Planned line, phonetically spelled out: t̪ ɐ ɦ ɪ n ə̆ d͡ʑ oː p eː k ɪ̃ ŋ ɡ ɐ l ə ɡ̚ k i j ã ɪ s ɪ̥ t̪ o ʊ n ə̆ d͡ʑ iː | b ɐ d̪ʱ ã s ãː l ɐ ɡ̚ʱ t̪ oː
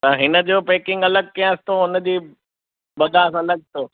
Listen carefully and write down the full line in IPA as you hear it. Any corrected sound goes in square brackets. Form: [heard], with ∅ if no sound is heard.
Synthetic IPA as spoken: t̪ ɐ ɦ ɪ n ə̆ d͡ʑ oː p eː k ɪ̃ ŋ ɡ ɐ l ə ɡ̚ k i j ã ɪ s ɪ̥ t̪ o ʊ n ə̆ d͡ʑ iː | b ɐ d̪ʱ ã s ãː l ɐ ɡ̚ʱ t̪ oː